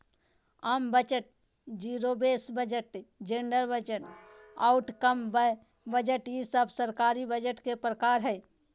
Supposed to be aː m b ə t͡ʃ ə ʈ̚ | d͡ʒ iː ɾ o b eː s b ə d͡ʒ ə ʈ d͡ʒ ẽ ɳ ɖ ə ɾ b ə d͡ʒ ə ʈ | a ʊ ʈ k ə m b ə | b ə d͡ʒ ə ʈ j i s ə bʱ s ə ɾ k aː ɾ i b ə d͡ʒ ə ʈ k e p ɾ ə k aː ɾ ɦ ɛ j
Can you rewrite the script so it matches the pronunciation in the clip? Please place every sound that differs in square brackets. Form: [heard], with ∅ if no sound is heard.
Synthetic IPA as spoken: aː m b ə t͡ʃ ə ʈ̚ | d͡ʒ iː ɾ o b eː s b ə d͡ʒ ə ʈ d͡ʒ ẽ ɳ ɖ ə ɾ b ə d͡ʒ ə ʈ | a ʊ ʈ k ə m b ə | b ə d͡ʒ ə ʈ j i s ə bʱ s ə ɾ k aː ɾ i b ə d͡ʒ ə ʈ k e p ɾ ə k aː ɾ ɦ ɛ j